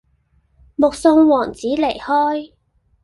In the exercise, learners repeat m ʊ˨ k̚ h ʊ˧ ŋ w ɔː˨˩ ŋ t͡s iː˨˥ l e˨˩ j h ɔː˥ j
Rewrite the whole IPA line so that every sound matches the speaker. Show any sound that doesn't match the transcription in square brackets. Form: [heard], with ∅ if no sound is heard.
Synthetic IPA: m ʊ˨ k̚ [s] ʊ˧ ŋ w ɔː˨˩ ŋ t͡s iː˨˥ l e˨˩ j h ɔː˥ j